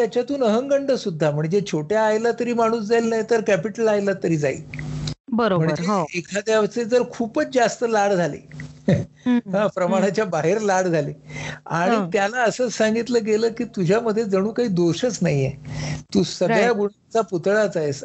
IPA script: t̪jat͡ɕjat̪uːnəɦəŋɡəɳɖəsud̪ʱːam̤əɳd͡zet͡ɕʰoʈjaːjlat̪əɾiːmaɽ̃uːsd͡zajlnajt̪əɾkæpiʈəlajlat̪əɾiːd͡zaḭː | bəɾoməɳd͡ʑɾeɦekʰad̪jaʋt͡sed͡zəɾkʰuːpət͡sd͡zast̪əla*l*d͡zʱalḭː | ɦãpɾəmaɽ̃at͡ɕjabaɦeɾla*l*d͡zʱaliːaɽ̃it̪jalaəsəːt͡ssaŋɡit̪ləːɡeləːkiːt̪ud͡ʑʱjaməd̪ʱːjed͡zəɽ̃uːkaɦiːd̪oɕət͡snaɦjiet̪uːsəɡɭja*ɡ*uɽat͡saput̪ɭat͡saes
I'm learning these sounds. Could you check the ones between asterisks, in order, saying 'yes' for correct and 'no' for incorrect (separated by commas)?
no, no, yes